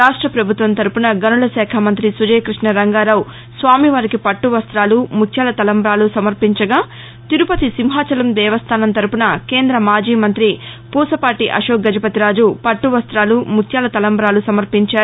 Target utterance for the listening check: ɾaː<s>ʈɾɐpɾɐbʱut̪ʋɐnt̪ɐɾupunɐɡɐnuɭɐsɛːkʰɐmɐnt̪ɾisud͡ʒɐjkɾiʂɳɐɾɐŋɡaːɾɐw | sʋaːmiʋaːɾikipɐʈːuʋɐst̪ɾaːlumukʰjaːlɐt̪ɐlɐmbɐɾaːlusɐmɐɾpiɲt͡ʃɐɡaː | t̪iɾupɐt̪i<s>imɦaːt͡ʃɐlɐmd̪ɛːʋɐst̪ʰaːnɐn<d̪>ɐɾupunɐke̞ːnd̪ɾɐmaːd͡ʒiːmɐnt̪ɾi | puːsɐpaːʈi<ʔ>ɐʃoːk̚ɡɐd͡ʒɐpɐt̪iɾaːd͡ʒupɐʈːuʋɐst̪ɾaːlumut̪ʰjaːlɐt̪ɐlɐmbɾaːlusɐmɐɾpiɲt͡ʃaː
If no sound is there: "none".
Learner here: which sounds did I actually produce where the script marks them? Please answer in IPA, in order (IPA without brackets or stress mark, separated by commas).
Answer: ʂ, s, t̪, ʔ